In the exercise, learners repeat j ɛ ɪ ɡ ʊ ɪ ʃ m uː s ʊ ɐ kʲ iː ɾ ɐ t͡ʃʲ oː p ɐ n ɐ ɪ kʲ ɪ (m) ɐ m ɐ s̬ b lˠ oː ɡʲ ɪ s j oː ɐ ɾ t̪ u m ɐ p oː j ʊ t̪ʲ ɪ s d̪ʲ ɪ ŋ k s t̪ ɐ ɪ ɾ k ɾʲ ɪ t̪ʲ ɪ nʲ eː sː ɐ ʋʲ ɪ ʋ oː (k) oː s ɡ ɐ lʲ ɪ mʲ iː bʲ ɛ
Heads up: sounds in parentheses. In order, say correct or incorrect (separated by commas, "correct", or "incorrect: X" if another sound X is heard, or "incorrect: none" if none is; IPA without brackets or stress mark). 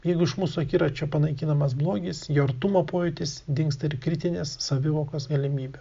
incorrect: n, correct